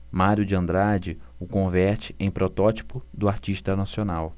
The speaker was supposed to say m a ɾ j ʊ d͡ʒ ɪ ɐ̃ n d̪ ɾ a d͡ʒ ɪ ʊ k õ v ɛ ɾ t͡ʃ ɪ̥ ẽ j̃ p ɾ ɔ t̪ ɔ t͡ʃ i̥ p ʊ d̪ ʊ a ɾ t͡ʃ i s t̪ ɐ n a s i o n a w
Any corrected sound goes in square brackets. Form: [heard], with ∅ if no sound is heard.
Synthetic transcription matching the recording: m a ɾ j ʊ d͡ʒ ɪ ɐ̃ n d̪ ɾ a d͡ʒ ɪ ʊ k õ v ɛ ɾ t͡ʃ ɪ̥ ẽ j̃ p ɾ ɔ t̪ ɔ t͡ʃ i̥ p ʊ d̪ ʊ a ɾ t͡ʃ i [ʃ] t̪ ɐ n a s i o n a w